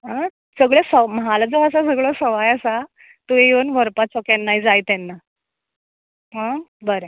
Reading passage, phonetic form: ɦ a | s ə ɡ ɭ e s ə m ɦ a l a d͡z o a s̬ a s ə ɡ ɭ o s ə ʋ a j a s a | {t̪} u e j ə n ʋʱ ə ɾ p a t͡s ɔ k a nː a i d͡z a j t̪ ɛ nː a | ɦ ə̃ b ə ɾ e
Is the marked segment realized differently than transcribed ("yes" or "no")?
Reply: no